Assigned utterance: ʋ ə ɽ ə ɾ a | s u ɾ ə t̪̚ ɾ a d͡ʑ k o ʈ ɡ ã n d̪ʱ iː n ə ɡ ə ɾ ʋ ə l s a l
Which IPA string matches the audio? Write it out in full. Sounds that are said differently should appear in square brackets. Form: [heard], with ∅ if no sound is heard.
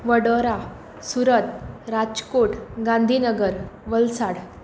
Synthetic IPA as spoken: ʋ ə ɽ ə ɾ a | s u ɾ ə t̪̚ ɾ a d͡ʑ k o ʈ ɡ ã n d̪ʱ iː n ə ɡ ə ɾ ʋ ə l s a [ɽ]